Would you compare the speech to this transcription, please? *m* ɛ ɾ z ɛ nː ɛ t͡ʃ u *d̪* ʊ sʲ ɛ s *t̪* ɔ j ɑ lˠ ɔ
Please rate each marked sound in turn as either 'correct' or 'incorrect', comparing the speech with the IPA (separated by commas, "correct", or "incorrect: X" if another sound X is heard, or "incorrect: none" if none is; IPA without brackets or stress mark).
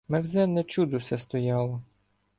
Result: correct, correct, correct